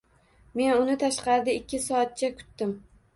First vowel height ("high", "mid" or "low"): mid